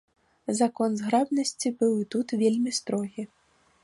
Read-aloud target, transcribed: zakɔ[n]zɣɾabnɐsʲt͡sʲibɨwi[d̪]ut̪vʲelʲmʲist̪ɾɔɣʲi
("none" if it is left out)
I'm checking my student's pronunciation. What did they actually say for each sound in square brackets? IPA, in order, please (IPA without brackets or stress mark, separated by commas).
n, t̪